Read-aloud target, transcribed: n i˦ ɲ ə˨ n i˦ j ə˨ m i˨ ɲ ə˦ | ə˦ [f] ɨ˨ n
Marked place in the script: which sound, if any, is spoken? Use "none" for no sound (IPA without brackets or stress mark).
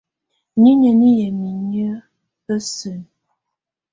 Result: s